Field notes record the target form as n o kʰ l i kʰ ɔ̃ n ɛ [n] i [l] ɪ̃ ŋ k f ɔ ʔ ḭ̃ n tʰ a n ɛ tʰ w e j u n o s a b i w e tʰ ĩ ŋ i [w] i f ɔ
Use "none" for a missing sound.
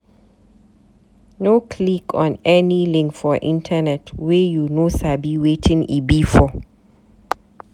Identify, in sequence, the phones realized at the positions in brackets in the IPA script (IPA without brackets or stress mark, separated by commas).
n, l, b